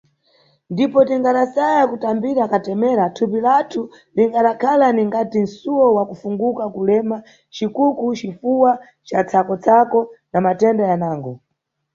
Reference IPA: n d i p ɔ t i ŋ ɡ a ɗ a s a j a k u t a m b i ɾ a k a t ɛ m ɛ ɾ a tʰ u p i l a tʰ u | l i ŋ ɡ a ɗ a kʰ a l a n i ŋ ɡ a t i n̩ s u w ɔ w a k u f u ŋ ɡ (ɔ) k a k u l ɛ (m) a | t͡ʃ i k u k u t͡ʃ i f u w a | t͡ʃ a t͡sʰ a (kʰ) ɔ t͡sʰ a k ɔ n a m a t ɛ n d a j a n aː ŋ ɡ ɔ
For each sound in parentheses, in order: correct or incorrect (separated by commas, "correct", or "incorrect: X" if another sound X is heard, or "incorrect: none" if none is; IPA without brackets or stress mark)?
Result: incorrect: u, correct, incorrect: k